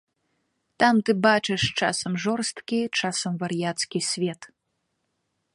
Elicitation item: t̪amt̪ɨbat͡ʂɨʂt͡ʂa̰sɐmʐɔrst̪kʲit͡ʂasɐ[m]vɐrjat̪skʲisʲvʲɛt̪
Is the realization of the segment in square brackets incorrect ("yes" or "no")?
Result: no